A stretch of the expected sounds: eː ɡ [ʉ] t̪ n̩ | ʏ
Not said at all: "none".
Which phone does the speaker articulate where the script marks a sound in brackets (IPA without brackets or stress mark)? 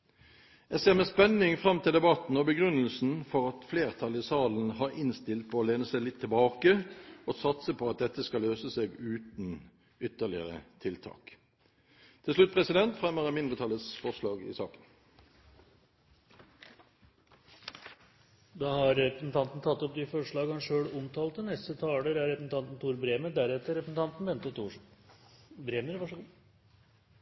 ʉː